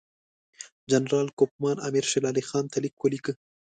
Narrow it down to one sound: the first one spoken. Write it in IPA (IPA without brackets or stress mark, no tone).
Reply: d͡ʒ